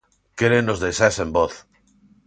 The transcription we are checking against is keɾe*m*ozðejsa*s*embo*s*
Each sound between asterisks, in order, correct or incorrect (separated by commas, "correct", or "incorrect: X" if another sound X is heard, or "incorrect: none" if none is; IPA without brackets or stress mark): incorrect: n, correct, incorrect: θ